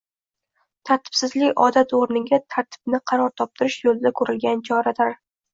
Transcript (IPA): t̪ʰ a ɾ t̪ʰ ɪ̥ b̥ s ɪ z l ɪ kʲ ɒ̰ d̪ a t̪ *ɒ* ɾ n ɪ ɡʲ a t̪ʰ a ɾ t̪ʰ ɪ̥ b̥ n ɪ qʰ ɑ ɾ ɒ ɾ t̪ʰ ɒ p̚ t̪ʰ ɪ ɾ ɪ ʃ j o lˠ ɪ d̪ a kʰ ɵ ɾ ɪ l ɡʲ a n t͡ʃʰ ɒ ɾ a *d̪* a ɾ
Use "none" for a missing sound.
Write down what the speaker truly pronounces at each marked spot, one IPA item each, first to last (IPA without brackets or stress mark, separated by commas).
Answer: o, d̪